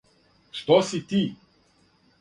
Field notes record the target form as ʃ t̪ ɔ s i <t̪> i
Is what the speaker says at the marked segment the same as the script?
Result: yes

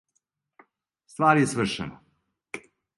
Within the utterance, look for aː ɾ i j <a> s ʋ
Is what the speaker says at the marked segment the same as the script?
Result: no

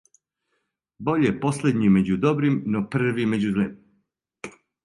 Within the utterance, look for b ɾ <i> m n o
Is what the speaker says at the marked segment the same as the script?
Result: yes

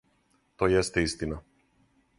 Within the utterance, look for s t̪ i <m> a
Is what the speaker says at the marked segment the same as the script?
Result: no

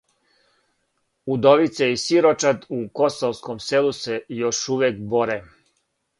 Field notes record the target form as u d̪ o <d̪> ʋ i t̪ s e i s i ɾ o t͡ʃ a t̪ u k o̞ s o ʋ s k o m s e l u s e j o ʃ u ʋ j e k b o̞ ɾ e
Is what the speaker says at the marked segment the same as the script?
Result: no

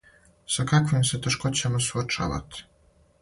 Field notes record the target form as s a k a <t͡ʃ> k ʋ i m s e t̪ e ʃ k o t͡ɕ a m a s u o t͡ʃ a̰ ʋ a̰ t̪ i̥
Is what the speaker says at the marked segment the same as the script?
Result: no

